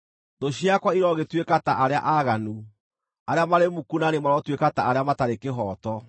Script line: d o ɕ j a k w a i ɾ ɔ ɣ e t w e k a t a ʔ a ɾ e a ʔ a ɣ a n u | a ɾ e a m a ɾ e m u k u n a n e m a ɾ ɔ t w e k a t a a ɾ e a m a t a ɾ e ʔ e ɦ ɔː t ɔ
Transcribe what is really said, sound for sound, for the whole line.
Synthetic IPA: d o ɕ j a k w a i ɾ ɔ ɣ e t w e k a t a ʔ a ɾ e a ʔ a ɣ a n u | a ɾ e a m a ɾ e m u k u n a n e m a ɾ ɔ t w e k a t a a ɾ e a m a t a ɾ e k e ɦ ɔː t ɔ